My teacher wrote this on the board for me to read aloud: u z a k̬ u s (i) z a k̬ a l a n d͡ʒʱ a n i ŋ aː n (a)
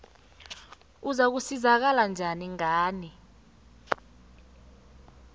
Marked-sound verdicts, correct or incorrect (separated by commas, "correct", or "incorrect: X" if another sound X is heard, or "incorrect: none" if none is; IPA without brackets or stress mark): correct, incorrect: i